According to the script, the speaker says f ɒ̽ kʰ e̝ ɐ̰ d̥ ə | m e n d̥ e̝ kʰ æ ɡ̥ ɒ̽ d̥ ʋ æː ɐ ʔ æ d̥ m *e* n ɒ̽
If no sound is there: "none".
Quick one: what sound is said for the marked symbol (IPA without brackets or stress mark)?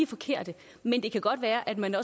æ